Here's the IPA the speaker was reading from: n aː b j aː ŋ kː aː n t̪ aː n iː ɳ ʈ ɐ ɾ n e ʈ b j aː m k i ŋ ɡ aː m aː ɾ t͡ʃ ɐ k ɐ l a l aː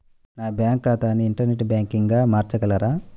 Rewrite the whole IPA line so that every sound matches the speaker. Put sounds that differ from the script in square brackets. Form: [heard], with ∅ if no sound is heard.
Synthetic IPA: n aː b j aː ŋ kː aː [∅] t̪ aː n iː ɳ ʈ ɐ ɾ n e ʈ b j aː [ŋ] k i ŋ ɡ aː m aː ɾ t͡ʃ ɐ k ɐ l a [ɾ] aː